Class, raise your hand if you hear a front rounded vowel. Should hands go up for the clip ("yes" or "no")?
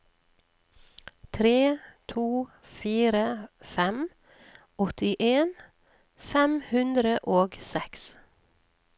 no